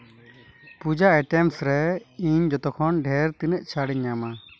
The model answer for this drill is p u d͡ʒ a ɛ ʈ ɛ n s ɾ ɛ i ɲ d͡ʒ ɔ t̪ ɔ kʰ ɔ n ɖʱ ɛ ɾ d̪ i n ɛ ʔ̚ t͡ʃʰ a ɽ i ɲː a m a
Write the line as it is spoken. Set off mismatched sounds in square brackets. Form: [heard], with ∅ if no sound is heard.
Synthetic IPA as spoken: p u d͡ʒ a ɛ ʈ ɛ [m] s ɾ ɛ i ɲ d͡ʒ ɔ t̪ ɔ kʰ ɔ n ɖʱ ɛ ɾ [t̪] i n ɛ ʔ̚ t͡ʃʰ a ɽ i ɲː a m a